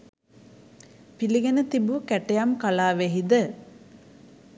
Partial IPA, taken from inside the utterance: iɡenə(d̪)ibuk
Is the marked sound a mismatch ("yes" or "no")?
yes